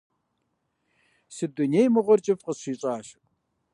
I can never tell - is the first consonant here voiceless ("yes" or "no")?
yes